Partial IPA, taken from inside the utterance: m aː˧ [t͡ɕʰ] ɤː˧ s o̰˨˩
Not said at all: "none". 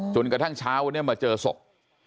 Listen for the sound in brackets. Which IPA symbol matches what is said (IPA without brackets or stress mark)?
t͡ɕ